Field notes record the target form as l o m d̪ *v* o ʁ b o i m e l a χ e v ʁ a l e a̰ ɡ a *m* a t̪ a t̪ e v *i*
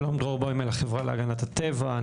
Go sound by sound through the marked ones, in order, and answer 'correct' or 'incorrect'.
incorrect: ʁ, incorrect: n, incorrect: a

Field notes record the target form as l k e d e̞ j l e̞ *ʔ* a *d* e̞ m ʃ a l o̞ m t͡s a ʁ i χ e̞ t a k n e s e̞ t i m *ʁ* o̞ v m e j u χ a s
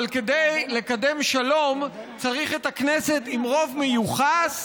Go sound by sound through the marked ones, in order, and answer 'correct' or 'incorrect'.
incorrect: k, correct, correct

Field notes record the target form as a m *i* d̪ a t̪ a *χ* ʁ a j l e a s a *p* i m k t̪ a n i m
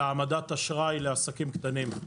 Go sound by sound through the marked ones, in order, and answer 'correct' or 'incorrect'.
incorrect: a, incorrect: ʃ, incorrect: k

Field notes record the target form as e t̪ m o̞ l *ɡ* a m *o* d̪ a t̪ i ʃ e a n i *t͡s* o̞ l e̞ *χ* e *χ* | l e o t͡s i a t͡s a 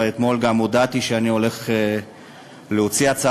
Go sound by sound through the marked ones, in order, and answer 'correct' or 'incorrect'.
correct, correct, incorrect: none, correct, incorrect: none

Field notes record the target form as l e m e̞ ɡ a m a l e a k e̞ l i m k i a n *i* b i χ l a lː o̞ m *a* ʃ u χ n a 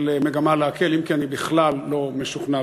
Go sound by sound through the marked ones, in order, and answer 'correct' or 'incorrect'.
correct, incorrect: e

